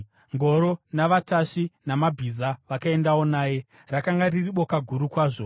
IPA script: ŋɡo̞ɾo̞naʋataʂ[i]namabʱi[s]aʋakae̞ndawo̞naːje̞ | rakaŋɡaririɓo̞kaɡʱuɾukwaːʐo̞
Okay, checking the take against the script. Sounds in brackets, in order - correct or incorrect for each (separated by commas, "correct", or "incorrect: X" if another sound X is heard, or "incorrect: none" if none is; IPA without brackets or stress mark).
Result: correct, incorrect: z